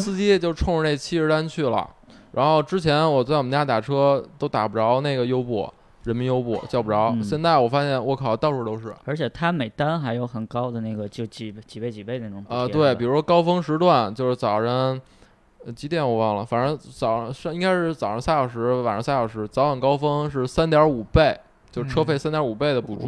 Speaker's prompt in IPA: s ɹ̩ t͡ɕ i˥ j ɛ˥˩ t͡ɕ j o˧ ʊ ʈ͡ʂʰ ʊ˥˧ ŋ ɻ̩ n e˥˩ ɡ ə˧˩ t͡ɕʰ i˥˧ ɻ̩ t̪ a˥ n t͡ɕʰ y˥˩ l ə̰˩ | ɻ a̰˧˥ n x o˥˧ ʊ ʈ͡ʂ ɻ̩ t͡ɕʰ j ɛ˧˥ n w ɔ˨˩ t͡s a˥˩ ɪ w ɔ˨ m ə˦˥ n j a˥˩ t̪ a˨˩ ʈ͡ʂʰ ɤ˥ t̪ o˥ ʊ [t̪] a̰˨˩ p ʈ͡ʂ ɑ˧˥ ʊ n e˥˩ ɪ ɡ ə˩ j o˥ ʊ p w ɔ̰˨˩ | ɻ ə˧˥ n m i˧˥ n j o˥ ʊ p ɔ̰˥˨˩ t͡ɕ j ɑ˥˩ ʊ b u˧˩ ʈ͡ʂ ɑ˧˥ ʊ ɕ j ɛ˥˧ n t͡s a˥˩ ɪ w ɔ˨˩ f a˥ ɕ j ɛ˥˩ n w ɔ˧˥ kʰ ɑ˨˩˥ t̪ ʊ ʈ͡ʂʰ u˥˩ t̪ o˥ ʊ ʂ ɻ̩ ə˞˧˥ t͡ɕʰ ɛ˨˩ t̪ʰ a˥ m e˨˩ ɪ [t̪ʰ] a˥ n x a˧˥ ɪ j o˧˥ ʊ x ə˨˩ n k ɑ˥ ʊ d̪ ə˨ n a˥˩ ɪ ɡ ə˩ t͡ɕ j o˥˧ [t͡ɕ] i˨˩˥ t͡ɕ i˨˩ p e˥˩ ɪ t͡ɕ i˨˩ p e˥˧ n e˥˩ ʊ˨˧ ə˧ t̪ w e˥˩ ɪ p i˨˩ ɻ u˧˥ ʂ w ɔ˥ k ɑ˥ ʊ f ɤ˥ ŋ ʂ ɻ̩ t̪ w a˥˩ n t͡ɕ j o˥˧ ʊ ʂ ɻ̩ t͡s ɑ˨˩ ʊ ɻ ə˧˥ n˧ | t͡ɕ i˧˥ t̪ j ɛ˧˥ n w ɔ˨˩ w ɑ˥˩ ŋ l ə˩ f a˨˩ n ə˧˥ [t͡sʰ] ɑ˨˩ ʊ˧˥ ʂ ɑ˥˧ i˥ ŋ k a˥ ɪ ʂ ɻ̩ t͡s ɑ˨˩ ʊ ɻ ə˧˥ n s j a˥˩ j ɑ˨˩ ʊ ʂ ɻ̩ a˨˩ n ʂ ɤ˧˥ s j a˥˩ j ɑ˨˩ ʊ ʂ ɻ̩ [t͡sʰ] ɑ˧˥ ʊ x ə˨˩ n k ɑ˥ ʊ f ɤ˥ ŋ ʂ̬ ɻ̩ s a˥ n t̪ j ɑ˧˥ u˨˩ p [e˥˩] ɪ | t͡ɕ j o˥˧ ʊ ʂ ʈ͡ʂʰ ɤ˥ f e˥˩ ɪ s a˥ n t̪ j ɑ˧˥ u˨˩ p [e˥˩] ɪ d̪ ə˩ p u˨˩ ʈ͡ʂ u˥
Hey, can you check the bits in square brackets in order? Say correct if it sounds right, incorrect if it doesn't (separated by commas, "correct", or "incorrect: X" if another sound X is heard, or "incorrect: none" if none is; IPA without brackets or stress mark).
correct, incorrect: t̪, correct, incorrect: t͡s, incorrect: t͡s, correct, correct